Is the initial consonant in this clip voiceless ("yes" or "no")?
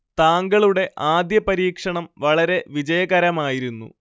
yes